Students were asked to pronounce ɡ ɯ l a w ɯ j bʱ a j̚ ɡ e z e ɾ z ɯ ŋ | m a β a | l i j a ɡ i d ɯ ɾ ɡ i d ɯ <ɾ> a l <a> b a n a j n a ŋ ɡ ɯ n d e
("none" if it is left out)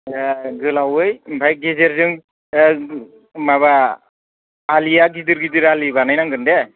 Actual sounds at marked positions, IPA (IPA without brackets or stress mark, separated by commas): ɾ, i